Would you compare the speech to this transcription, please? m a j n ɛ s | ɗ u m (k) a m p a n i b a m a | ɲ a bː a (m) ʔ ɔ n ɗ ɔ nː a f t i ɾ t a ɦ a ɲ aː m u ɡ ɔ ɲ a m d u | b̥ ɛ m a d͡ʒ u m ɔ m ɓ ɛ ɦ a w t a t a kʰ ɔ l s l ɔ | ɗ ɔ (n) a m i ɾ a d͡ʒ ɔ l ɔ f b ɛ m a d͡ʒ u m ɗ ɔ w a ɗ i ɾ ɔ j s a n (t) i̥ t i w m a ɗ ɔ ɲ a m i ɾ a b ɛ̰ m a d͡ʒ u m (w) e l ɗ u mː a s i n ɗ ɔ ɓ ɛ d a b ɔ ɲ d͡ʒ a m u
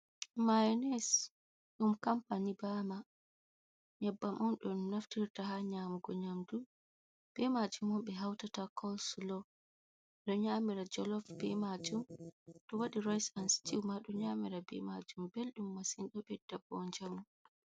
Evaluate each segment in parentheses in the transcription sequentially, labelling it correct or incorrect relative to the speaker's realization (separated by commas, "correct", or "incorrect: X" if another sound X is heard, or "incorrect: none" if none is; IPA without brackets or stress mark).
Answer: correct, correct, incorrect: ɲ, incorrect: s, incorrect: b